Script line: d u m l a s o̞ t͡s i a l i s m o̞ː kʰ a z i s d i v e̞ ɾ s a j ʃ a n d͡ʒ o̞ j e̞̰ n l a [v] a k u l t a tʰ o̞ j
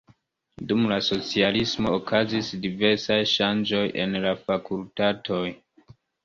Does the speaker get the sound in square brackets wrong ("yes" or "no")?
yes